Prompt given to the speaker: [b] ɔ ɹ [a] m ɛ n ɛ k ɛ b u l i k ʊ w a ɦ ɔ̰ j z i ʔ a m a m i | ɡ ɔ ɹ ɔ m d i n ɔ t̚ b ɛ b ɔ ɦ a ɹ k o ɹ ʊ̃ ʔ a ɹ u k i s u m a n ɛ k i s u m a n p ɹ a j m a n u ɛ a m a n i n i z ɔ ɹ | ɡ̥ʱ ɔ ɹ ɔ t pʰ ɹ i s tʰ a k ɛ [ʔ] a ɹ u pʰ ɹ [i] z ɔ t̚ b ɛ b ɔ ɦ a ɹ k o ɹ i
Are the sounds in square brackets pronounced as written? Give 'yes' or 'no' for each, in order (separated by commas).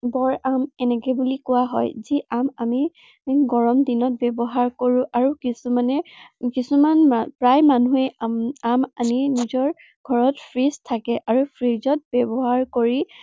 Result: yes, yes, yes, yes